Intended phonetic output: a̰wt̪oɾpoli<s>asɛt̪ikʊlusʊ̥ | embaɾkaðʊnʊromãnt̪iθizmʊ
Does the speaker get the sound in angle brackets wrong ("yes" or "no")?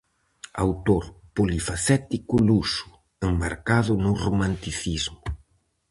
yes